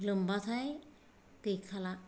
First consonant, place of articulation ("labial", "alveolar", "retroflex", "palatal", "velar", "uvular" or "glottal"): alveolar